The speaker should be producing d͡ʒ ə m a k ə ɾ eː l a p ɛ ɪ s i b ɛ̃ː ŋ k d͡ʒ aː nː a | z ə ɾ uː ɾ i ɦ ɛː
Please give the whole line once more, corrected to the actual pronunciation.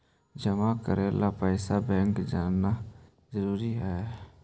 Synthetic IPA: d͡ʒ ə m a k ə ɾ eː l a p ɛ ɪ s a b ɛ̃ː ŋ k d͡ʒ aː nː a | z ə ɾ uː ɾ i ɦ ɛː